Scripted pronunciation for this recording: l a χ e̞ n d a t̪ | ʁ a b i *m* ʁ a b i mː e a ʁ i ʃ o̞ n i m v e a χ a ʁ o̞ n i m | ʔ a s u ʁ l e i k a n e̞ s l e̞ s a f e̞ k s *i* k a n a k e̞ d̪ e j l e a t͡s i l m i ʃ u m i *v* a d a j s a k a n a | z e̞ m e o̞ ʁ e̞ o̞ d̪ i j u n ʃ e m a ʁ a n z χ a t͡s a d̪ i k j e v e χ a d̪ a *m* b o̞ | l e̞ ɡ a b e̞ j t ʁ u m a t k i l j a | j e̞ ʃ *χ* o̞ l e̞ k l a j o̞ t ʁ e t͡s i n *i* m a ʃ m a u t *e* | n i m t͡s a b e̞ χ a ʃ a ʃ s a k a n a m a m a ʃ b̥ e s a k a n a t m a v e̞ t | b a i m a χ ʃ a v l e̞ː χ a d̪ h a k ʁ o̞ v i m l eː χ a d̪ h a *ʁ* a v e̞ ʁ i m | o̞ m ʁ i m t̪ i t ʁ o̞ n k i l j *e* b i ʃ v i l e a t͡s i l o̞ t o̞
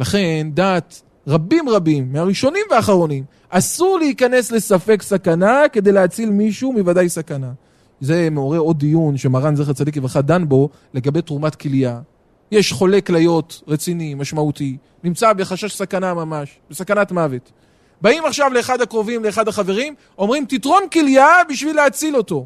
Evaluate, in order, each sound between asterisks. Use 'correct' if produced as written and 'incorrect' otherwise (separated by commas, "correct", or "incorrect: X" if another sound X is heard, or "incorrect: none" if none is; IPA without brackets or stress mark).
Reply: correct, incorrect: a, correct, incorrect: n, correct, correct, incorrect: i, incorrect: χ, incorrect: a